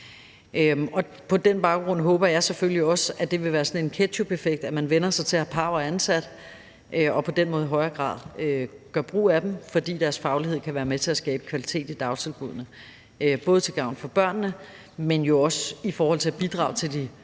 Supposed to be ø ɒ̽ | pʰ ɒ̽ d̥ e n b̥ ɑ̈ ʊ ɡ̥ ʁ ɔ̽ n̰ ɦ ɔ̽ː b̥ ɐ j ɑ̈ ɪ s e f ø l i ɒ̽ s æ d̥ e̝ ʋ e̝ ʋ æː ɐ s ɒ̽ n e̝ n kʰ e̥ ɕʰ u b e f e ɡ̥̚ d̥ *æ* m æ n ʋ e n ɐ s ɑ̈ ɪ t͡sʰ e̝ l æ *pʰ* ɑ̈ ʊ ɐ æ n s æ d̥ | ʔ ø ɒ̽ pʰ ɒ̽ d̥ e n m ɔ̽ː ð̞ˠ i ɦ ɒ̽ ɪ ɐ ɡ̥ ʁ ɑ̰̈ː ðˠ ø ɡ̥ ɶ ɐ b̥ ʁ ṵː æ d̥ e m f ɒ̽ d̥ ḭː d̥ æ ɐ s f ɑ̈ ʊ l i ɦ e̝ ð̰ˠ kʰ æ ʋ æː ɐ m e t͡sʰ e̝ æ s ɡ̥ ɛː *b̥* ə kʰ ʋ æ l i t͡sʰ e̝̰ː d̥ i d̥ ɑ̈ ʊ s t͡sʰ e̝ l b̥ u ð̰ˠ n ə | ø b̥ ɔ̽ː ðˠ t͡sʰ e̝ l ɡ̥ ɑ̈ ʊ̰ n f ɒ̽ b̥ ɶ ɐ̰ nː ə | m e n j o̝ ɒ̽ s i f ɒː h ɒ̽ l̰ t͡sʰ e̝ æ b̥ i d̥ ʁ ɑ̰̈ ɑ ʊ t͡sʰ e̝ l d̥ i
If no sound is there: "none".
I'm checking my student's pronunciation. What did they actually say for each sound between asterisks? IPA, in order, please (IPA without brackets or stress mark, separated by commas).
æ, pʰ, b̥